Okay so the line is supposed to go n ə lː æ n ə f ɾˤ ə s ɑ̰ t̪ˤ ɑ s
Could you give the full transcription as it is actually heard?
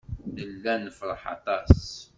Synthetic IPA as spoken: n ə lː æ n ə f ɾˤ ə ħ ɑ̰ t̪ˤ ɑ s